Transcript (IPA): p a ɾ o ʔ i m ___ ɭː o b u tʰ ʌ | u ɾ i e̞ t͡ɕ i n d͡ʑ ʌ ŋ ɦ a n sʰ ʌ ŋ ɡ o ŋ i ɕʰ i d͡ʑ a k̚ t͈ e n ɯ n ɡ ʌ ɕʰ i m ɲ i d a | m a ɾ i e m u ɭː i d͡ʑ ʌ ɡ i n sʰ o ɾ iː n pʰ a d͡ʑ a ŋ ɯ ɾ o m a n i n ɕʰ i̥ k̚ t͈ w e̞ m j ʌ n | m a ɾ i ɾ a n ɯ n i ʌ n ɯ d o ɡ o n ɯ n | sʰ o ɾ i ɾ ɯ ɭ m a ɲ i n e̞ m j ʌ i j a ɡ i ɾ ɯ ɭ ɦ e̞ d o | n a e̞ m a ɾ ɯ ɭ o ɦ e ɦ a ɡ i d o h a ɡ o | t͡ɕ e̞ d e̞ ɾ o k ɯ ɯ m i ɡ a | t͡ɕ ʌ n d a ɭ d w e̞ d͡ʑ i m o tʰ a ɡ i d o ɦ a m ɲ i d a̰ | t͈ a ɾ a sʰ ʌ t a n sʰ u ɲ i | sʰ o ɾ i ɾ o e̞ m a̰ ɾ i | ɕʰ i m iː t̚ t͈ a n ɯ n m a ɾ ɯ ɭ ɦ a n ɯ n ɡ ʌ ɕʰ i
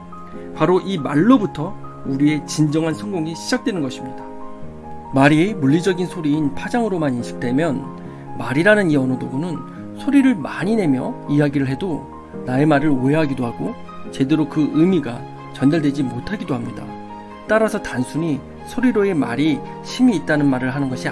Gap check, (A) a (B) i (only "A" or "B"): A